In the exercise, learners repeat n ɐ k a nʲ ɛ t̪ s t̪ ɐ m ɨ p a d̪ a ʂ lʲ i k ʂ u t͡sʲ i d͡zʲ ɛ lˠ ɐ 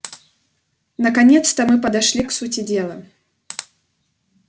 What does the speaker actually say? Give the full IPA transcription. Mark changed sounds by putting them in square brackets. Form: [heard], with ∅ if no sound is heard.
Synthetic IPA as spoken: n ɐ k a nʲ ɛ t̪ s t̪ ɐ m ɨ p [ɐ] d̪ a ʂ lʲ i k [s] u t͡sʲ i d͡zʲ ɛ lˠ ɐ